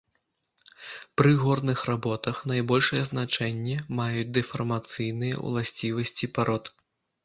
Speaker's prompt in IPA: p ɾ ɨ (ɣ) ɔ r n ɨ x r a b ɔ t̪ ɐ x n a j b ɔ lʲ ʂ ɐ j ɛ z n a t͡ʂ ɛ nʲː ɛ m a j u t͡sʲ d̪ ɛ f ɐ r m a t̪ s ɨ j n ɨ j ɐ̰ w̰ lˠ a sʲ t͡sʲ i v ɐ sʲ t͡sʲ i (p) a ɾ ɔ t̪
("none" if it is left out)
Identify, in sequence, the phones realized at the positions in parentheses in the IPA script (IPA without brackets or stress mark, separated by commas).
ɣ, p